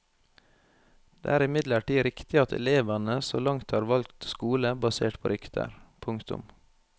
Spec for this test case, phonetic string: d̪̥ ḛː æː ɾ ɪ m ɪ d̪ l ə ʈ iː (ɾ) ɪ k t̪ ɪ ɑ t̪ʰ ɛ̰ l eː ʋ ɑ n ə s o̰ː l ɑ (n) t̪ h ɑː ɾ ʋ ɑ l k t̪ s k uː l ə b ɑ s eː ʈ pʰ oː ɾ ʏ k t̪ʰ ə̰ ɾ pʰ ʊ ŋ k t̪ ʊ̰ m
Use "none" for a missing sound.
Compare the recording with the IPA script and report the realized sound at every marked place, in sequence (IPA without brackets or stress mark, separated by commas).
ɾ, ŋ